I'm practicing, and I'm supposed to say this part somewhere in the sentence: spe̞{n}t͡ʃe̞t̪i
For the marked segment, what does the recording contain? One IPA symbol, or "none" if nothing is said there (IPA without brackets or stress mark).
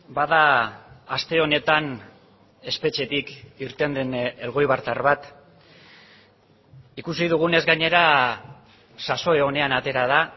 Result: none